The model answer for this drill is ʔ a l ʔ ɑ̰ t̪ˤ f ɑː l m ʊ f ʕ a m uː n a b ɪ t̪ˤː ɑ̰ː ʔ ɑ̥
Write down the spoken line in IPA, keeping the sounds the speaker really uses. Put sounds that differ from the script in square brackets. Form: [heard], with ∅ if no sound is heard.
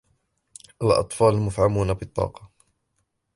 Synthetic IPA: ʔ a l ʔ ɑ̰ t̪ˤ f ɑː l m ʊ f ʕ a m uː n a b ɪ t̪ˤː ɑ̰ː [q] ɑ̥

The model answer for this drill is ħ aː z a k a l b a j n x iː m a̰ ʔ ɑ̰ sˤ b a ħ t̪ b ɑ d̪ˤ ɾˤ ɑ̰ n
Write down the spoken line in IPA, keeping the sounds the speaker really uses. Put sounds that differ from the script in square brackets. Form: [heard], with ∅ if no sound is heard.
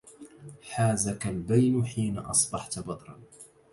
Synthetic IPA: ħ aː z a k a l b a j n [ħ] iː [n] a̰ ʔ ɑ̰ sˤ b [ɑ] ħ t̪ b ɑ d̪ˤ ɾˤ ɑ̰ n

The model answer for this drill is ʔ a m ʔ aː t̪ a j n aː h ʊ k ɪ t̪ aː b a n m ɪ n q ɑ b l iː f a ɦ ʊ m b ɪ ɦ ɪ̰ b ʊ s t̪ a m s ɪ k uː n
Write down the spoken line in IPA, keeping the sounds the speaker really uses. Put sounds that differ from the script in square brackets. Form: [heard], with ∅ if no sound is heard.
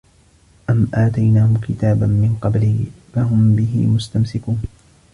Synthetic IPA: ʔ a m ʔ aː t̪ a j n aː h ʊ k ɪ t̪ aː b a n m ɪ n q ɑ b l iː f a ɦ ʊ m b ɪ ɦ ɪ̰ [m] ʊ s t̪ a m s ɪ k uː n

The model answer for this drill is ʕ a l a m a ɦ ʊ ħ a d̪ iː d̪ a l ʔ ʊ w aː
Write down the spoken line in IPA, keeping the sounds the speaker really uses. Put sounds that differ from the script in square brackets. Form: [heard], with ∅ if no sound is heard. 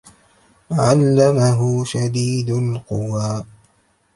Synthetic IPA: ʕ a [lː] a m a ɦ ʊ [ʃ] a d̪ iː d̪ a l [q] ʊ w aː

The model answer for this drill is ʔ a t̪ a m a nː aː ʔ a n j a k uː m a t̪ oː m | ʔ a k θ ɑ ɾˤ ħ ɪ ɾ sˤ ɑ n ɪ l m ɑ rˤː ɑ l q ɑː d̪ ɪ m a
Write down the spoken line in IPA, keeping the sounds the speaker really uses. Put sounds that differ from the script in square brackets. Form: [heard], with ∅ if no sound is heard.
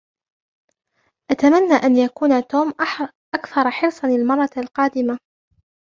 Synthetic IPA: ʔ a t̪ a m a nː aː ʔ a n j a k uː [n] a t̪ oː m | ʔ a k θ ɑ ɾˤ ħ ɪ ɾ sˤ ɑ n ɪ l m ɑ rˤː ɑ l q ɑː d̪ ɪ m a

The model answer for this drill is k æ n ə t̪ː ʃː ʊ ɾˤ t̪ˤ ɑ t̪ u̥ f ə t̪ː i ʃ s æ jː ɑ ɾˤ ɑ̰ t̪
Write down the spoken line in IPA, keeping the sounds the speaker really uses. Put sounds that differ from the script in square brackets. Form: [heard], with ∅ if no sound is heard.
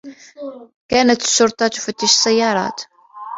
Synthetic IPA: k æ n ə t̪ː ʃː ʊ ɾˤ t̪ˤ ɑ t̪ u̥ f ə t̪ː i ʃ s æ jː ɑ ɾˤ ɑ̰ t̪

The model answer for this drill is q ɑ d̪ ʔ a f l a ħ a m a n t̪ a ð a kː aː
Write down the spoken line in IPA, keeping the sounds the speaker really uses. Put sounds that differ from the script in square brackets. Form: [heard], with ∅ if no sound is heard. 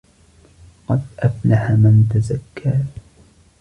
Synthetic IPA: q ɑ d̪ ʔ a f l a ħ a m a n t̪ a [z] a kː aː

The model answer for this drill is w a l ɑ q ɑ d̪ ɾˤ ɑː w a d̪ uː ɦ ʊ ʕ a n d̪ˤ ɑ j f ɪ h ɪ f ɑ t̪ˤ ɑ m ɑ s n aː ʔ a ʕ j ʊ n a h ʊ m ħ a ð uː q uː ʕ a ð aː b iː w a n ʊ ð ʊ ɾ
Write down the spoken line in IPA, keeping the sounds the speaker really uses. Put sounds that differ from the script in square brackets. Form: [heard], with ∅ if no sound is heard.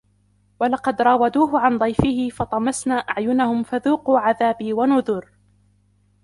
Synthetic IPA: w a l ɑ q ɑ d̪ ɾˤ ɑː w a d̪ uː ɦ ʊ ʕ a n d̪ˤ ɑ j f ɪ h ɪ f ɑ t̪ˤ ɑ m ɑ s n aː ʔ a ʕ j ʊ n a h ʊ m [f] a ð uː q uː ʕ a ð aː b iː w a n ʊ ð ʊ ɾ

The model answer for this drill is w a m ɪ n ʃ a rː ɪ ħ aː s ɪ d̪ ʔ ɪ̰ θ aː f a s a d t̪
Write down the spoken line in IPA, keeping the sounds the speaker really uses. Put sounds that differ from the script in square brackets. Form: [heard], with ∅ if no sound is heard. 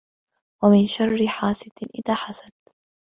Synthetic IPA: w a m ɪ n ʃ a rː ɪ ħ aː s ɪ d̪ ʔ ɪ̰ [ð] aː [ħ] a s a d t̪

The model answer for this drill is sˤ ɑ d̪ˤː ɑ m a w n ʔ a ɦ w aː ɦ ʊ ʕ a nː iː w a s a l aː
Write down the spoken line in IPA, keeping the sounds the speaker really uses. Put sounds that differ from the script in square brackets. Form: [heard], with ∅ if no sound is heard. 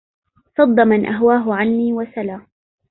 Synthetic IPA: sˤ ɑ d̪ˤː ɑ m a [∅] n ʔ a ɦ w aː ɦ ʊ ʕ a nː iː w a s a l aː

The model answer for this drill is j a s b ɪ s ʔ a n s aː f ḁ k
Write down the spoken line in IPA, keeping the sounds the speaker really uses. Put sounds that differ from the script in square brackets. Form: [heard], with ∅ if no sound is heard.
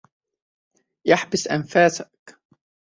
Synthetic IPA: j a [ħ] b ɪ s ʔ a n [f] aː [s] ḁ k

